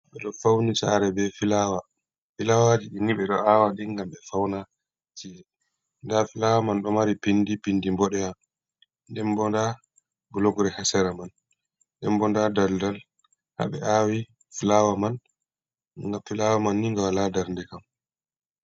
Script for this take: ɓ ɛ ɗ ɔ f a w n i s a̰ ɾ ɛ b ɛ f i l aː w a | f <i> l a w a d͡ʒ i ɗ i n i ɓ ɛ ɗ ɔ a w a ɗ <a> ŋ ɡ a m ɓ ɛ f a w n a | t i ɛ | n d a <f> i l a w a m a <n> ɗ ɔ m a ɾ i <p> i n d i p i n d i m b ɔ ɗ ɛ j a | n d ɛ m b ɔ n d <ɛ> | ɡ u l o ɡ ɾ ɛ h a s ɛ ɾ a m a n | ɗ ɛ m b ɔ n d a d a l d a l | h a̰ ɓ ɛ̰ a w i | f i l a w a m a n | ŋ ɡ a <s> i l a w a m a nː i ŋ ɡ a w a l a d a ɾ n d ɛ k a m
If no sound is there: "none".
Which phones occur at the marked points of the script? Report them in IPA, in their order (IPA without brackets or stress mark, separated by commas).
i, i, f, n, p, a, f